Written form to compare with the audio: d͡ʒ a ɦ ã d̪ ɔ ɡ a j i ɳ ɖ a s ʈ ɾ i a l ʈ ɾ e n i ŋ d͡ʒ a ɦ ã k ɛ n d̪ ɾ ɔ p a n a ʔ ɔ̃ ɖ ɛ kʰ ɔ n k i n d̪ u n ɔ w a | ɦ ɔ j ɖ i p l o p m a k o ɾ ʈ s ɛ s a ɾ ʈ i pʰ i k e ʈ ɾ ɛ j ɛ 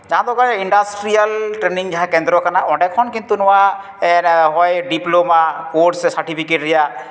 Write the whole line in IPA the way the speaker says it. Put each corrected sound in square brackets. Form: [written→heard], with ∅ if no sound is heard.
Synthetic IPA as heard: d͡ʒ a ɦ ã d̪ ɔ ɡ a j i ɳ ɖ a s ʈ ɾ i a l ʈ ɾ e n i ŋ d͡ʒ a ɦ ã k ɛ n d̪ ɾ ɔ [p→k] a n a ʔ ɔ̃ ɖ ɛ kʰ ɔ n k i n [d̪→t̪] u n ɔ w a | ɦ ɔ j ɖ i p l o [p→∅] m a k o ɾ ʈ s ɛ s a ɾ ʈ i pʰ i k e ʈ ɾ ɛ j [ɛ→a]